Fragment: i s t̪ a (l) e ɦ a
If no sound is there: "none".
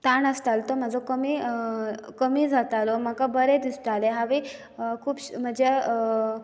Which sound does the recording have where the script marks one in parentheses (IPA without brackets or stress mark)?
l